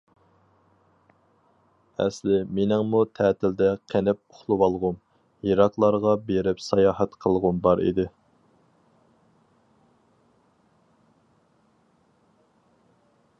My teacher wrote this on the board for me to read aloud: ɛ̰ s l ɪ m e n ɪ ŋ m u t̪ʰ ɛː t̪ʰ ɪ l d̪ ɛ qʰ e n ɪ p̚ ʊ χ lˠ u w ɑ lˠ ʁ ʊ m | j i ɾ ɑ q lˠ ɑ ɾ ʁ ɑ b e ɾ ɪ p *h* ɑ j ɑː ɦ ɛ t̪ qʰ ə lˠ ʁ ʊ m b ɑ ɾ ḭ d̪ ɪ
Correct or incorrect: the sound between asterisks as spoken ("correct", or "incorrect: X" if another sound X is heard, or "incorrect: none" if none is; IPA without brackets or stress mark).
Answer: incorrect: s